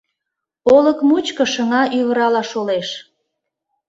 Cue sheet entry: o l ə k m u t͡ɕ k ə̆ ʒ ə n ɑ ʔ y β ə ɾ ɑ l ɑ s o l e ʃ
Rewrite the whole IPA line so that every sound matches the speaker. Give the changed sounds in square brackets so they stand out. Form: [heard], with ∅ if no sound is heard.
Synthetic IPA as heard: o l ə k m u t͡ɕ k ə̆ [ʃ] ə [ŋ] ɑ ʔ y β ə ɾ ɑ l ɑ [ʃ] o l e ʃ